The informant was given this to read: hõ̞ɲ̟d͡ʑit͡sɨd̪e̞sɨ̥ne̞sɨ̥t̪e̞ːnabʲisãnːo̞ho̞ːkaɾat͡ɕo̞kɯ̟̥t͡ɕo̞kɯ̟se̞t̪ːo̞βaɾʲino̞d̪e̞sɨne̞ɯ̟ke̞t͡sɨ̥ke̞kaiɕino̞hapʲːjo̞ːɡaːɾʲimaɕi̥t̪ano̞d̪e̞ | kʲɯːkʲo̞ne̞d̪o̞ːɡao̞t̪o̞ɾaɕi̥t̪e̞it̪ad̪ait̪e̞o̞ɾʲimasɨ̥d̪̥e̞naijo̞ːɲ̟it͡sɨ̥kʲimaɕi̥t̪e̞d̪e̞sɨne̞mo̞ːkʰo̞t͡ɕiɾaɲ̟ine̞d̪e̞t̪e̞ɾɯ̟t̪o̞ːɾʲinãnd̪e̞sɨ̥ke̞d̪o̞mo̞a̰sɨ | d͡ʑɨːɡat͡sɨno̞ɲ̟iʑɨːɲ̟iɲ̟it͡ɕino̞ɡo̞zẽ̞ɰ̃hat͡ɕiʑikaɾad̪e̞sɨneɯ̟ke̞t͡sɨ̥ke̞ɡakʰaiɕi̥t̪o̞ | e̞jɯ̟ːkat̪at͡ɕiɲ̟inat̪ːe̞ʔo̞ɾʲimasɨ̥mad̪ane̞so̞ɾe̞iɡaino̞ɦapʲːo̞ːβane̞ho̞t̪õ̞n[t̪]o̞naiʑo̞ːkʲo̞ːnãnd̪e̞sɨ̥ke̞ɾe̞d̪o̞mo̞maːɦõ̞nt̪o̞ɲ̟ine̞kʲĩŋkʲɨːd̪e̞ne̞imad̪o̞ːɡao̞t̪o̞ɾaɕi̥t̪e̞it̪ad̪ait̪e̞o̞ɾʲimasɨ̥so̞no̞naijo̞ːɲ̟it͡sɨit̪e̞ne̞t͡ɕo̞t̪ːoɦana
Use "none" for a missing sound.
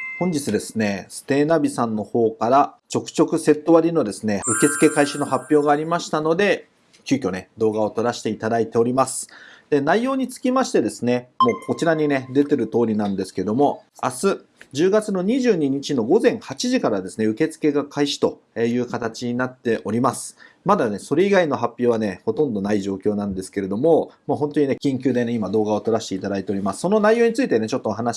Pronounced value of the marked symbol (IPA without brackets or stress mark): d̪